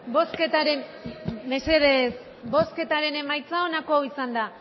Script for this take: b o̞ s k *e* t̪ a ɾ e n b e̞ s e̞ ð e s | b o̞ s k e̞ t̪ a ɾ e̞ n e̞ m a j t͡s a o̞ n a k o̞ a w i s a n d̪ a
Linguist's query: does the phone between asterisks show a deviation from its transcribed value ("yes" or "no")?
no